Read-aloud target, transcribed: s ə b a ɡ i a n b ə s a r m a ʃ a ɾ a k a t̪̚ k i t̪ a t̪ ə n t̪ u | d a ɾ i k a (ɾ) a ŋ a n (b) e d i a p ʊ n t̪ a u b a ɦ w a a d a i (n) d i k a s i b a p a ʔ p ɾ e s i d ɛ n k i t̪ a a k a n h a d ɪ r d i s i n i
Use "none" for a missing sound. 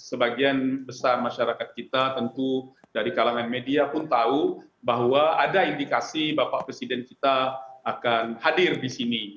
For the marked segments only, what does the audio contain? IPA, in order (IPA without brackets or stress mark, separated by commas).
l, m, n